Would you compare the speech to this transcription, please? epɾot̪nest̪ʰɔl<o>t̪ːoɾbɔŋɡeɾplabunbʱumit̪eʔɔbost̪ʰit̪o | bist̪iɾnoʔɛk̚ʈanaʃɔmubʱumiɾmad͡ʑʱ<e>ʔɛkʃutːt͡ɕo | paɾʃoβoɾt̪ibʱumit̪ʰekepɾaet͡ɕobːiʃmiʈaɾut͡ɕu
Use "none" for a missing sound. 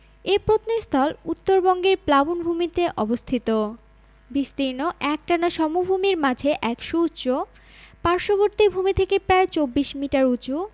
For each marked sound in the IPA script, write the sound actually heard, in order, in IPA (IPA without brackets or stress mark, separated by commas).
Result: u, e